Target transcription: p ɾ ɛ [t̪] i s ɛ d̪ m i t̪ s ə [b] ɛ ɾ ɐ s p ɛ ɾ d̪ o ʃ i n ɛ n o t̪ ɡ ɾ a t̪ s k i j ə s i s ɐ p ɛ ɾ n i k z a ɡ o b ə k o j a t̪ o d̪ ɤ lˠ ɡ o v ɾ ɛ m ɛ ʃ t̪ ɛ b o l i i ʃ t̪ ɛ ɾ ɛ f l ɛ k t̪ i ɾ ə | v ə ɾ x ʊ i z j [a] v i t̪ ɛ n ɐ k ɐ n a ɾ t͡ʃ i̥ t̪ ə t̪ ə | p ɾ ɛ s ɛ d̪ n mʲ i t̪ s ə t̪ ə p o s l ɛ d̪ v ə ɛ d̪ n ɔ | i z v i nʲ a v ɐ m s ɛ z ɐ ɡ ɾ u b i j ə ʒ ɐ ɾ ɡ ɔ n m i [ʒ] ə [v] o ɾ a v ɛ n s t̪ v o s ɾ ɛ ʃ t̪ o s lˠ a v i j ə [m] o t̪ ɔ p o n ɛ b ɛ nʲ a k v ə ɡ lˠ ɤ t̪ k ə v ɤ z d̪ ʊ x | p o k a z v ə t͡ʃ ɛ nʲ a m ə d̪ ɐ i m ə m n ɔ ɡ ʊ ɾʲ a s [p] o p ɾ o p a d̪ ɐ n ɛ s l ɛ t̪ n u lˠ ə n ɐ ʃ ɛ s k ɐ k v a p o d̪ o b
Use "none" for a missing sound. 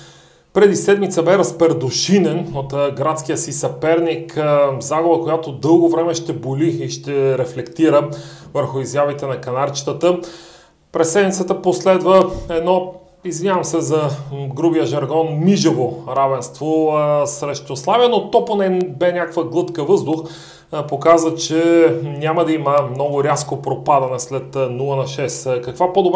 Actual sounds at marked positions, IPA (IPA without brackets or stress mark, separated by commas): d̪, b, a, ʒ, v, n, k